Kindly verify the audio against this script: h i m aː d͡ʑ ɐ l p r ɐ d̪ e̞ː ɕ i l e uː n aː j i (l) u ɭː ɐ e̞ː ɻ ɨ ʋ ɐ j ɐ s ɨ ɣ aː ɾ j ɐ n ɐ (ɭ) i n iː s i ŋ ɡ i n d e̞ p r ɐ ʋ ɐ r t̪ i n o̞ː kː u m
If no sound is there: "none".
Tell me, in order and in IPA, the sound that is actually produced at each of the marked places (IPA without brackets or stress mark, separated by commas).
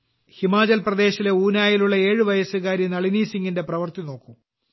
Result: l, ɭ